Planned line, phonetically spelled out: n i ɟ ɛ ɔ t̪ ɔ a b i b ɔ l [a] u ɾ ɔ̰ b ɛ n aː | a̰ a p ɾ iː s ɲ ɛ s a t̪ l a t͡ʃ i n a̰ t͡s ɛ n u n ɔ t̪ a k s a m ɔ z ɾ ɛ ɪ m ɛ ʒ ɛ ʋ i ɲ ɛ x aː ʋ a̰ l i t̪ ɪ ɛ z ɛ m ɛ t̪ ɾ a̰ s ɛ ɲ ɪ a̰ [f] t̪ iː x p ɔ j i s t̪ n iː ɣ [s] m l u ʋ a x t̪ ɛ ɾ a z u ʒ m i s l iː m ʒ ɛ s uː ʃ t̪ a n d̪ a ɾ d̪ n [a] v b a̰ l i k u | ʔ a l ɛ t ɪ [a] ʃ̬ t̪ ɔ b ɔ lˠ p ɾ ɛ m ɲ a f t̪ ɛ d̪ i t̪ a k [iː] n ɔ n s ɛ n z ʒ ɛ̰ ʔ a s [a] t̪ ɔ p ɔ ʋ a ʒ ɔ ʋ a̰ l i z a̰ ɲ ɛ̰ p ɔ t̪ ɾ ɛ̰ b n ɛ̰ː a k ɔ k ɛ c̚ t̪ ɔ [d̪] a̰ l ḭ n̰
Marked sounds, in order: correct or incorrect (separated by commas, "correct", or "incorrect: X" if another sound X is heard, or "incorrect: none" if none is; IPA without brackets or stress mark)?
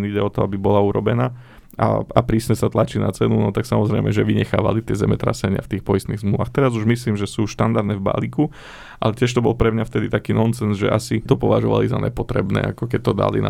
correct, correct, incorrect: z, incorrect: ɛ, incorrect: ɛ, correct, incorrect: i, correct